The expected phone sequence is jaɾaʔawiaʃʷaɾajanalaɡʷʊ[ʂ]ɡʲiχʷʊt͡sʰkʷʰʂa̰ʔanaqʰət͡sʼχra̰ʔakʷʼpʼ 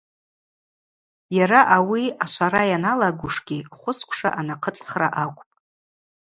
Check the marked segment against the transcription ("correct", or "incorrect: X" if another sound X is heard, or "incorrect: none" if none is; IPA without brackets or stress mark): correct